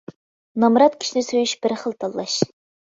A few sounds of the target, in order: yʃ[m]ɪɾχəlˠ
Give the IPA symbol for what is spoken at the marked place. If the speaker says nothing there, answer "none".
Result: b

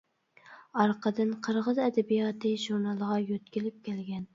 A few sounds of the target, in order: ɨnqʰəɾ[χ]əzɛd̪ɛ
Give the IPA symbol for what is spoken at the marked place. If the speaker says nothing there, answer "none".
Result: ʁ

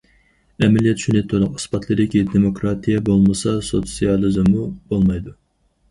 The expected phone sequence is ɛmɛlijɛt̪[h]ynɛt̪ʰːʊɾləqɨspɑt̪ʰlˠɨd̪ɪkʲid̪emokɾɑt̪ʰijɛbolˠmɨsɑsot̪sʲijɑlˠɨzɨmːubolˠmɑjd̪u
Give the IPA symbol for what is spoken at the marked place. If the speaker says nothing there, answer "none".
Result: ʃ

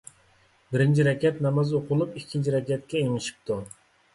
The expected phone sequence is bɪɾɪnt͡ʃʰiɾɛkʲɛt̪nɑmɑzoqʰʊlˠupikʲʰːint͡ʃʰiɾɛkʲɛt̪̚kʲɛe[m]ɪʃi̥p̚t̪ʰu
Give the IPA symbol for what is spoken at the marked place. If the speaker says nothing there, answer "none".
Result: ŋ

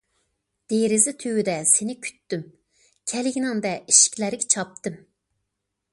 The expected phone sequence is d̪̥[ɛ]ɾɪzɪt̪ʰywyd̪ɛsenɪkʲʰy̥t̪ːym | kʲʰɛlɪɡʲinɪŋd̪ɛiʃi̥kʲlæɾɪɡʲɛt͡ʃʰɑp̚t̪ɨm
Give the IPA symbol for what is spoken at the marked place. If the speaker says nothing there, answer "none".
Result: e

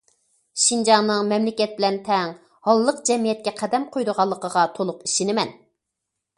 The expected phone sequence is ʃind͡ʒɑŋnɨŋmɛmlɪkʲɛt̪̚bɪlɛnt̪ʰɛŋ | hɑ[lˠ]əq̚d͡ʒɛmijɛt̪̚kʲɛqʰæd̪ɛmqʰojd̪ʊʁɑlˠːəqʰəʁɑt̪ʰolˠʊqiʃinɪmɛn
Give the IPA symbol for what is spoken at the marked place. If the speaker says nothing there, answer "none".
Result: lˠː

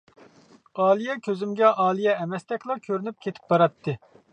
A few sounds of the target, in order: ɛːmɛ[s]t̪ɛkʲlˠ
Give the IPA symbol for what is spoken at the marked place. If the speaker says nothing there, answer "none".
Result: s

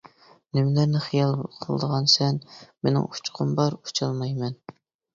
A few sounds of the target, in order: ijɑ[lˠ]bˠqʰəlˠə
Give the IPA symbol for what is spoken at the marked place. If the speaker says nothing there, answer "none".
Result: lˠ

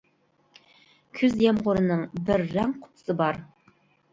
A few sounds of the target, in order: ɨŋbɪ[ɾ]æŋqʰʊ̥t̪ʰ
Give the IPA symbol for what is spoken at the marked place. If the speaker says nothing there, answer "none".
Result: ɾː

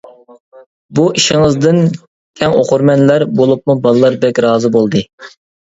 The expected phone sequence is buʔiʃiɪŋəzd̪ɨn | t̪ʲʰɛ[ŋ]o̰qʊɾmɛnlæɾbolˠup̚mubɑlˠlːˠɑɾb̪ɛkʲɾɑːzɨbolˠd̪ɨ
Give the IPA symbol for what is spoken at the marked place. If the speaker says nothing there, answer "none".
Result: ŋ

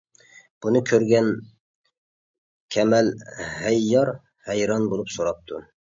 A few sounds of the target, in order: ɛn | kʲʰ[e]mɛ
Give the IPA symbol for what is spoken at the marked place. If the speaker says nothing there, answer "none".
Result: ɛ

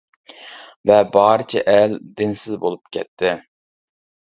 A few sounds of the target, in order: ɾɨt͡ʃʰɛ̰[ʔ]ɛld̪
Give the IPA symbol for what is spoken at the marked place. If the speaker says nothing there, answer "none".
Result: ʔ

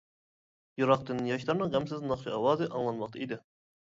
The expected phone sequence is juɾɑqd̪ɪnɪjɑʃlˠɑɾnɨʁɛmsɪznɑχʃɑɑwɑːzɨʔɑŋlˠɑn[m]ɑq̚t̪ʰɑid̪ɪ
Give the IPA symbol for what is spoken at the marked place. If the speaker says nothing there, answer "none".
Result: m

